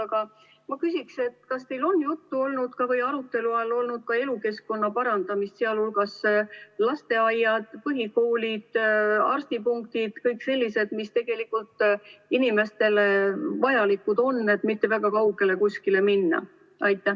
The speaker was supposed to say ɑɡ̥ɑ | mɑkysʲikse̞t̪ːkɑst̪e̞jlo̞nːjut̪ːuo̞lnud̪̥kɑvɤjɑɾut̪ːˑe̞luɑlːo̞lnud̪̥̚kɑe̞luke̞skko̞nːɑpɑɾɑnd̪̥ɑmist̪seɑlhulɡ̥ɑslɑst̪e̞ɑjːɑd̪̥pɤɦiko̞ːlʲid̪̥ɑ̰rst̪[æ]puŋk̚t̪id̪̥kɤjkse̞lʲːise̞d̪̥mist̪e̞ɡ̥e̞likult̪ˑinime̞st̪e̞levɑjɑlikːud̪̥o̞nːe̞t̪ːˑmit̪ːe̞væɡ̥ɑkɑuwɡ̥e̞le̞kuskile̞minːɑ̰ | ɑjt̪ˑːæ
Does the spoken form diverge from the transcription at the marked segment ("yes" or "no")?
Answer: yes